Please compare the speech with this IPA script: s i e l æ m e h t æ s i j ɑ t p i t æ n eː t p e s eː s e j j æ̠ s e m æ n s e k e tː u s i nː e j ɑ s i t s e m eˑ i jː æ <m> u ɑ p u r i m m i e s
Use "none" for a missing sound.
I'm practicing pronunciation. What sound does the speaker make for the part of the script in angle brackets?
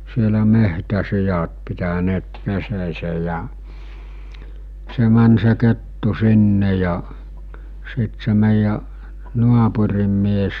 n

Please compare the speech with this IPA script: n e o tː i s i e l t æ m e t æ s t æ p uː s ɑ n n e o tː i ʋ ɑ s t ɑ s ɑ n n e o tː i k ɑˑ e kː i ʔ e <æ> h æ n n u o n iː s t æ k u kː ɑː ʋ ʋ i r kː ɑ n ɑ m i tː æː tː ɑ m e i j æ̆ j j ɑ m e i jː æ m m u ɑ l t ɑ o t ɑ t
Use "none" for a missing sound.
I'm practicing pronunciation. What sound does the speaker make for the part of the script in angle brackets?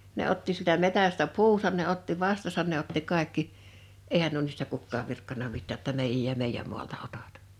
i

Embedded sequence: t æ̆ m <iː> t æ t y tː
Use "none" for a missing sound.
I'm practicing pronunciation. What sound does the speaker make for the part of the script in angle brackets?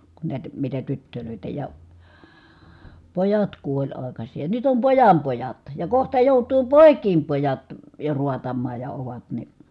i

